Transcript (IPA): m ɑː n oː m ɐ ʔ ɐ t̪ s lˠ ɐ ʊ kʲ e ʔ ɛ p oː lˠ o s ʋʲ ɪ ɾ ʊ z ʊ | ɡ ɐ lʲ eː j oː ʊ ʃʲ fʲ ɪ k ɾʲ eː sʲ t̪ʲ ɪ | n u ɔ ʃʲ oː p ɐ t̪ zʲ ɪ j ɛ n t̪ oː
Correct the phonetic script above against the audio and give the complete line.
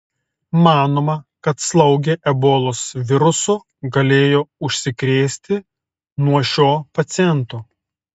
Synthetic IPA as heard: m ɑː n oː m ɐ k ɐ t̪ s lˠ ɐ ʊ ɡʲ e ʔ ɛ b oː lˠ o s ʋʲ ɪ ɾ ʊ s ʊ | ɡ ɐ lʲ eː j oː ʊ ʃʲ sʲ ɪ k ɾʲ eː sʲ t̪ʲ ɪ | n u ɔ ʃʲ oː p ɐ t̪ sʲ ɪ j ɛ n t̪ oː